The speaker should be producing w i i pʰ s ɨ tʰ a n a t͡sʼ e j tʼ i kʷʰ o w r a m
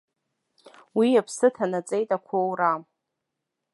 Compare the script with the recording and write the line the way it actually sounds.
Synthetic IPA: w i a pʰ s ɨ tʰ a n a t͡sʼ e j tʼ a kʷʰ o w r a m